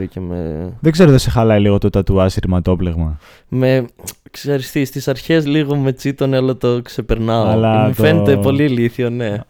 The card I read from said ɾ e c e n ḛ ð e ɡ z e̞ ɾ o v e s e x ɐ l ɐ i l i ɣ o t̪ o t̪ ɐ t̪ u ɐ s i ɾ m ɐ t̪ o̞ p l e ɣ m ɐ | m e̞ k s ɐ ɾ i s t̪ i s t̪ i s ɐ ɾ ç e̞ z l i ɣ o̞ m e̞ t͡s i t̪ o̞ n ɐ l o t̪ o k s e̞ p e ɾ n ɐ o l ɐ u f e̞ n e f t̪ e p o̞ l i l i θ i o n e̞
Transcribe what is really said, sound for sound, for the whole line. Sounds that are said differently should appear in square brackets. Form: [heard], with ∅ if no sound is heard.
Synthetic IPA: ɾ [i] c e [m] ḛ ð e ɡ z e̞ ɾ o [ð] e s e x ɐ l ɐ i l i ɣ o t̪ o t̪ ɐ t̪ u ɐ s i ɾ m ɐ t̪ o̞ p l e ɣ m ɐ | m e̞ k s ɐ ɾ i s t̪ i s t̪ i s ɐ ɾ ç e̞ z l i ɣ o̞ m e̞ t͡s i t̪ o̞ n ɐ l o t̪ o k s e̞ p e ɾ n ɐ o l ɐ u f e̞ n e [∅] t̪ e p o̞ l i l i θ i o n e̞